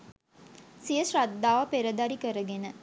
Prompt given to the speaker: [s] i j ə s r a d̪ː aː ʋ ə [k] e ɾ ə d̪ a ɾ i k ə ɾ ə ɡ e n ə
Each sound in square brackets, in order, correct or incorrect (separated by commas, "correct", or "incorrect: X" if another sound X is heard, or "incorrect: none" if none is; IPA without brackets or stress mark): correct, incorrect: p